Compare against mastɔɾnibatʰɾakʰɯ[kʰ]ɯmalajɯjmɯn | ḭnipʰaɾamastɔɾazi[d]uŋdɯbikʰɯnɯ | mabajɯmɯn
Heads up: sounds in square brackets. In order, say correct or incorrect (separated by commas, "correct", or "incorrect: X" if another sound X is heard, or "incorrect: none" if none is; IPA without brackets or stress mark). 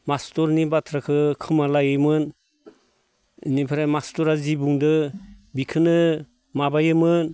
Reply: correct, incorrect: b